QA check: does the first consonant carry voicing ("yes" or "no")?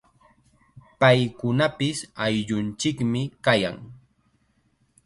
no